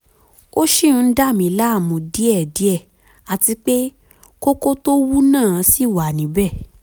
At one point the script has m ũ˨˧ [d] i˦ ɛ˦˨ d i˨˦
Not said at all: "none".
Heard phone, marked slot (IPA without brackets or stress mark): d